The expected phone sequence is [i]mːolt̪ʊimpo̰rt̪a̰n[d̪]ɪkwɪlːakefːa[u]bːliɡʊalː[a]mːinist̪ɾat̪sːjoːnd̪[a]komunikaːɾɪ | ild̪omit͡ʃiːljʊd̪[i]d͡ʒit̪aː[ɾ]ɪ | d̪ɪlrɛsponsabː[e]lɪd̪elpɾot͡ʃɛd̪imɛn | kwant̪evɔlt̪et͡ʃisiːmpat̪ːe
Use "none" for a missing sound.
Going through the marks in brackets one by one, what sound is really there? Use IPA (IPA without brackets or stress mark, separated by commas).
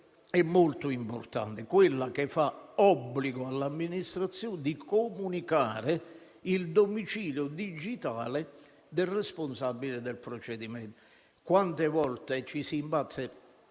ɛ, t̪, ɔ, a, i, i, l, i